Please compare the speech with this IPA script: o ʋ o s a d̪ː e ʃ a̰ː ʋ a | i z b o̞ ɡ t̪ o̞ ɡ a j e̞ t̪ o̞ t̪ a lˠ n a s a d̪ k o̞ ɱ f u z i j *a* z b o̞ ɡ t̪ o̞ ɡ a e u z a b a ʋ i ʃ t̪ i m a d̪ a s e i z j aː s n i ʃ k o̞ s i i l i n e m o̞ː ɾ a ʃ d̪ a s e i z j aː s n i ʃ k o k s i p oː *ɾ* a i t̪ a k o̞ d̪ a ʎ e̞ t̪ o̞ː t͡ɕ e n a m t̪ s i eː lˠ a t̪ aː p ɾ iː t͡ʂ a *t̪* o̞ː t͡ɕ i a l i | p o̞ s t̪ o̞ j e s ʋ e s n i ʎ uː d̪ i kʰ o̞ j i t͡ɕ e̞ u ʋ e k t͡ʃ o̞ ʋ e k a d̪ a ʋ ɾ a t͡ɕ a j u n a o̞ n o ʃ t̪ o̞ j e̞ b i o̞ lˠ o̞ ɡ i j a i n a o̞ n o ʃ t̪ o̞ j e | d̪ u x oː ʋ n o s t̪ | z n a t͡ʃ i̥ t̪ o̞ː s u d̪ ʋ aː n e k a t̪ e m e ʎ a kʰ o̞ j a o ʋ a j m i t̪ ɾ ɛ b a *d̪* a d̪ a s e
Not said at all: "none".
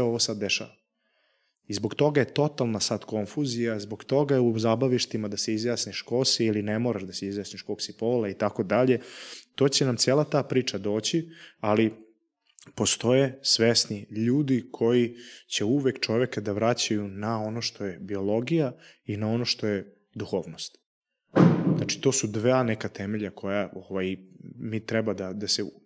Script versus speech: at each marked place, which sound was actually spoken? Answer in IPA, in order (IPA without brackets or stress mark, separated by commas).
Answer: a, l, d̪, d̪